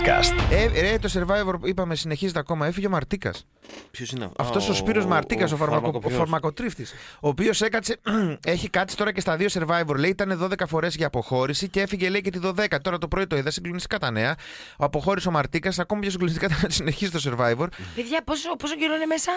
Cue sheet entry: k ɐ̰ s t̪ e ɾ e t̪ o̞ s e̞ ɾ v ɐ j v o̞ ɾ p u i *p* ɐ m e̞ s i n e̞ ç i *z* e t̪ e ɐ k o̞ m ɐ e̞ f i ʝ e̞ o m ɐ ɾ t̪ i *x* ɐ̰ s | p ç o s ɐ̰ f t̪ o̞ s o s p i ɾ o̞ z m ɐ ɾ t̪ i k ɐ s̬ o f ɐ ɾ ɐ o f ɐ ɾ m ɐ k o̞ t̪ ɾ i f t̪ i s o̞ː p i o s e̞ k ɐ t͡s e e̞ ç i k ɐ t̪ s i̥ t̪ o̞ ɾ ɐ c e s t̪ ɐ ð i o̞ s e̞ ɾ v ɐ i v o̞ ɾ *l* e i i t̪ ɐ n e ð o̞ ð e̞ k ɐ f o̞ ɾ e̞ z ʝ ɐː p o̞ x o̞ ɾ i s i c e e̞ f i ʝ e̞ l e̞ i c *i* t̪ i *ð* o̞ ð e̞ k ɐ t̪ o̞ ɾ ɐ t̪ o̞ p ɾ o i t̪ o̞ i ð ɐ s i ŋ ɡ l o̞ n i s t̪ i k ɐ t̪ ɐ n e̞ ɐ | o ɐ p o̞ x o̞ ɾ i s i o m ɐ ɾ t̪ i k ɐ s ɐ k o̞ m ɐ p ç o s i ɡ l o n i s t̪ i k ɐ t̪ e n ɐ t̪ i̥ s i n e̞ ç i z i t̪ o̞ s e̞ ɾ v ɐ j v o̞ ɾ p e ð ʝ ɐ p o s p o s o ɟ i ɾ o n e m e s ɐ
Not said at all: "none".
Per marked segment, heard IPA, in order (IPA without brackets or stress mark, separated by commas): p, z, k, l, e, ð